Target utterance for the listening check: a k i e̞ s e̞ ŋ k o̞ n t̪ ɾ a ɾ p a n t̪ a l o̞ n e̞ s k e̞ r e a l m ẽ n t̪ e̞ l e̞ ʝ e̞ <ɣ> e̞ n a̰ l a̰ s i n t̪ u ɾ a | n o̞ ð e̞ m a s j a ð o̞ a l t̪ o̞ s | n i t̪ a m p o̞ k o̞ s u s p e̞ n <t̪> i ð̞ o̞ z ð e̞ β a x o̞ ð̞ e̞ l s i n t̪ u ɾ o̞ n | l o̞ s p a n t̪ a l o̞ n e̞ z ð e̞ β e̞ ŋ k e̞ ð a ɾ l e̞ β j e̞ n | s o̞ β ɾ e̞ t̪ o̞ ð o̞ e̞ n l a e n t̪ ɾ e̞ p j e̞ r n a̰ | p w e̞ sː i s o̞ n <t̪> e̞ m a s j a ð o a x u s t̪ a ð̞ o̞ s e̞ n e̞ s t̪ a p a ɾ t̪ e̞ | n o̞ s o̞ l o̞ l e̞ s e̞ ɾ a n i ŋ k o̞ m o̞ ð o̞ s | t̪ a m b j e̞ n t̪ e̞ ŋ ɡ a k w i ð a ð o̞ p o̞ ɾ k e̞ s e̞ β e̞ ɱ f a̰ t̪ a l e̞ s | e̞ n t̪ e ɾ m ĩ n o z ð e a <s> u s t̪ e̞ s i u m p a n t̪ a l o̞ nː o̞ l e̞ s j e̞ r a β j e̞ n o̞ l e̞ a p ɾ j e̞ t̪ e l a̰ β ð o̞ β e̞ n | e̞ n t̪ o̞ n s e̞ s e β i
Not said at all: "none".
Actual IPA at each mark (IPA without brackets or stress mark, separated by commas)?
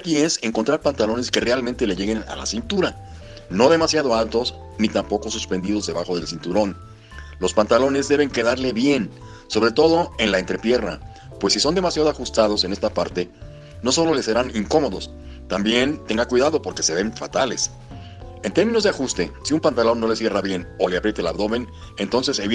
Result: ɣ, d̪, d̪, x